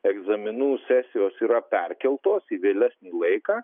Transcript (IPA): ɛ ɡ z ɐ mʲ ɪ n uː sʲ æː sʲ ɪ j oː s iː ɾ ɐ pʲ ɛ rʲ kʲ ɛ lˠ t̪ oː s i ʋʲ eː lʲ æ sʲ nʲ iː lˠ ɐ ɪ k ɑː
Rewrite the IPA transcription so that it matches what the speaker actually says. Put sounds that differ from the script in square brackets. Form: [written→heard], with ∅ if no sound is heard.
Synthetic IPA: ɛ ɡ z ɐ mʲ ɪ n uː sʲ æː sʲ ɪ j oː s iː ɾ ɐ pʲ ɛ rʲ kʲ ɛ lˠ t̪ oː s i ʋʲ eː lʲ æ sʲ nʲ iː lˠ ɐ ɪ k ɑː

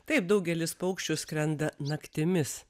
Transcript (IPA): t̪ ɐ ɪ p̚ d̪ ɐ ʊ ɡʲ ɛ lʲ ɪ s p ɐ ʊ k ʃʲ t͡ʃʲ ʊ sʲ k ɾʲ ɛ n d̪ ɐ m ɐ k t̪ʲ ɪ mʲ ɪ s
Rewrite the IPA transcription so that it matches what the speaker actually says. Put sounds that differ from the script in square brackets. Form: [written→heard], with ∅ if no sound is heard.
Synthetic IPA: t̪ ɐ ɪ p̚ d̪ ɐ ʊ ɡʲ ɛ lʲ ɪ s p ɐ ʊ k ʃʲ t͡ʃʲ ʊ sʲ k ɾʲ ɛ n d̪ ɐ [m→n] ɐ k t̪ʲ ɪ mʲ ɪ s

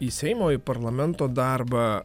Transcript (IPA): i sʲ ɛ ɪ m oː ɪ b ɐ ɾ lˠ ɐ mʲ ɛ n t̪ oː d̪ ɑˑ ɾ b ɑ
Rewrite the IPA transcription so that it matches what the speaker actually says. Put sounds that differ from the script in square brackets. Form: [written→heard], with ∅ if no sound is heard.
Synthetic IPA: i sʲ ɛ ɪ m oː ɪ [b→p] ɐ ɾ lˠ ɐ mʲ ɛ n t̪ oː d̪ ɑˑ ɾ b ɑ

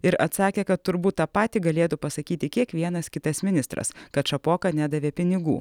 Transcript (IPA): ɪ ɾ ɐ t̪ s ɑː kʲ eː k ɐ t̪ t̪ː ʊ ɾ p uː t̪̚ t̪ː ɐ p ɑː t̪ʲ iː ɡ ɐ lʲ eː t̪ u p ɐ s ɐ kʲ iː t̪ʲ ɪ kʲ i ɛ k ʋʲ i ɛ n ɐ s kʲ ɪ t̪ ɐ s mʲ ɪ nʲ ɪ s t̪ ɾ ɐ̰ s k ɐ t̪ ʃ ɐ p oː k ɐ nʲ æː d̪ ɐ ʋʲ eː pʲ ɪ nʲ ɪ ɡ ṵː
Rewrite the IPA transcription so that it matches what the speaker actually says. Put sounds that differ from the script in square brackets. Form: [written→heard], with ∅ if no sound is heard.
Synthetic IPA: ɪ ɾ ɐ t̪ s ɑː kʲ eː k ɐ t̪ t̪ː ʊ ɾ [p→b] uː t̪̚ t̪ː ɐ p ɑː t̪ʲ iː ɡ ɐ lʲ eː t̪ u p ɐ s ɐ kʲ iː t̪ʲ ɪ kʲ i ɛ k ʋʲ i ɛ n ɐ s kʲ ɪ t̪ ɐ s mʲ ɪ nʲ ɪ s t̪ ɾ ɐ̰ s k ɐ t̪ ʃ ɐ p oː k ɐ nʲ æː d̪ ɐ ʋʲ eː pʲ ɪ nʲ ɪ ɡ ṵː

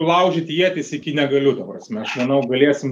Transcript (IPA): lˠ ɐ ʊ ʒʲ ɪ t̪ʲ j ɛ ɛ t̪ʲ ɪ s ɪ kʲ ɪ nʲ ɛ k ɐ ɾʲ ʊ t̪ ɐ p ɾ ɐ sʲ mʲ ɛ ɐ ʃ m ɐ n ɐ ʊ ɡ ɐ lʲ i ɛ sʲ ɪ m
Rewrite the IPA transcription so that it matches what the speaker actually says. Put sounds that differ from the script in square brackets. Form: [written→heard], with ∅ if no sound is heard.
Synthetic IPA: lˠ ɐ ʊ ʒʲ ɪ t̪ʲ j [ɛ→i] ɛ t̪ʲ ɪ s ɪ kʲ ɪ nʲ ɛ [k→ɡ] ɐ [ɾʲ→lʲ] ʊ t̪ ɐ p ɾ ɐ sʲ mʲ ɛ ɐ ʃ m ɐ n ɐ ʊ ɡ ɐ lʲ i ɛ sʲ ɪ m

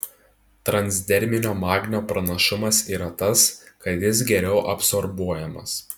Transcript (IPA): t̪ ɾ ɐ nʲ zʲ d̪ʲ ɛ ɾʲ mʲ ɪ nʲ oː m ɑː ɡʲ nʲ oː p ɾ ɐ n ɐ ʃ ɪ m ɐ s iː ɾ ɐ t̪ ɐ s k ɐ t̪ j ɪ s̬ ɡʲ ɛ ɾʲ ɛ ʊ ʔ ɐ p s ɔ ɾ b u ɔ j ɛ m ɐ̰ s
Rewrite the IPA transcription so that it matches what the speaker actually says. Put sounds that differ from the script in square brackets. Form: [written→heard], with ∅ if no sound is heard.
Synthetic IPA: t̪ ɾ ɐ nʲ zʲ d̪ʲ ɛ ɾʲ mʲ ɪ nʲ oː m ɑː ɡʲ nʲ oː p ɾ ɐ n ɐ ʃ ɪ m ɐ s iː ɾ ɐ t̪ ɐ s k ɐ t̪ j ɪ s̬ ɡʲ ɛ ɾʲ ɛ ʊ ʔ ɐ p s ɔ ɾ b u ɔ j ɛ m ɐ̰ s

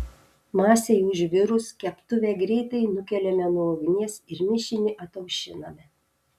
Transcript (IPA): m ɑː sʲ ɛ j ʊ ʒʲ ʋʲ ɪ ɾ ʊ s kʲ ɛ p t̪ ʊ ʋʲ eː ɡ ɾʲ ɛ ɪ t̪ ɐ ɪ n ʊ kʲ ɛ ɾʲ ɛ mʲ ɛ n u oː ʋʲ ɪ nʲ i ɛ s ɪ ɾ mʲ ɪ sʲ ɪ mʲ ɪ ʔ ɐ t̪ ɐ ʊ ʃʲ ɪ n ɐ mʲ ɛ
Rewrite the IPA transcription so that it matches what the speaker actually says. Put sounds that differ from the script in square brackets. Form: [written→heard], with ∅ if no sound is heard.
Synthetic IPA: m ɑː sʲ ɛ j ʊ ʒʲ ʋʲ ɪ ɾ ʊ s kʲ ɛ p t̪ ʊ ʋʲ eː ɡ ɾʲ ɛ ɪ t̪ ɐ ɪ n ʊ kʲ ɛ [ɾʲ→lʲ] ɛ mʲ ɛ n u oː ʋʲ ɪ nʲ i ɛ s ɪ ɾ mʲ ɪ [sʲ→ʃʲ] ɪ [mʲ→nʲ] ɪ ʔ ɐ t̪ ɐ ʊ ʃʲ ɪ n ɐ mʲ ɛ

